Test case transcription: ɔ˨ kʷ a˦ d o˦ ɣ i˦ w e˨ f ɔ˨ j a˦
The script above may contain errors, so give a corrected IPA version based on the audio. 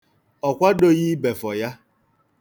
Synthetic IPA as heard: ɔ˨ kʷ a˦ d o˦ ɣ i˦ b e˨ f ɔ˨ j a˦